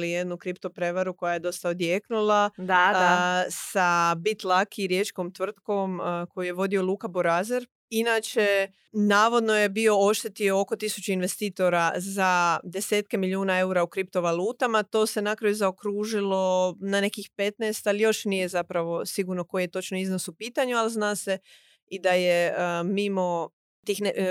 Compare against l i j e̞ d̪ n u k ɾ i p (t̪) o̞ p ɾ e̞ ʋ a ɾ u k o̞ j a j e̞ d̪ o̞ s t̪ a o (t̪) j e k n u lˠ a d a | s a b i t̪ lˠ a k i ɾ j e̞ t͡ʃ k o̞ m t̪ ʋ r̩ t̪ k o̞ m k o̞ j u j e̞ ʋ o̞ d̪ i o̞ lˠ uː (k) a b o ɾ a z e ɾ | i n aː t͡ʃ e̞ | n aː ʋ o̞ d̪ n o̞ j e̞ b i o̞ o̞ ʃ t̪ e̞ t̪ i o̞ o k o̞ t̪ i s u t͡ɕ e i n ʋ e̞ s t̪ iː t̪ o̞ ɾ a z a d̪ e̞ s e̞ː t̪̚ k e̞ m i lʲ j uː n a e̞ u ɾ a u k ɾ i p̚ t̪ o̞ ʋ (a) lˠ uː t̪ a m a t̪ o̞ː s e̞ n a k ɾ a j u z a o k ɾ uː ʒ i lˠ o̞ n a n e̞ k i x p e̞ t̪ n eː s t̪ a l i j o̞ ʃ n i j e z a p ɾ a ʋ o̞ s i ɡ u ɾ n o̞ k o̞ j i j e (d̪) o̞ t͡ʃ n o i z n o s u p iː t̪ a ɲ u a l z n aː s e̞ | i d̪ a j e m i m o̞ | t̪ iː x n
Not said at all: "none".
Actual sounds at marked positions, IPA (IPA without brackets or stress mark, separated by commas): t̪, d̪, k, a, t̪